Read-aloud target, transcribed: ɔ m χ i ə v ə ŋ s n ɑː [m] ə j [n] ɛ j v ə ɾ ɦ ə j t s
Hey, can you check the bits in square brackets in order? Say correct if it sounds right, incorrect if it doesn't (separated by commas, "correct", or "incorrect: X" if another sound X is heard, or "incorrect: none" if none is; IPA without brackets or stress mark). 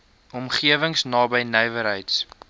incorrect: b, correct